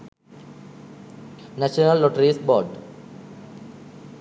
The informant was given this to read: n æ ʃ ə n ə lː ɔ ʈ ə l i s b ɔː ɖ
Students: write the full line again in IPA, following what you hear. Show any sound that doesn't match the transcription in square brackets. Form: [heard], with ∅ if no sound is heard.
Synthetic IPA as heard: n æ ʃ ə n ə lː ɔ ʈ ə [ɾ] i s b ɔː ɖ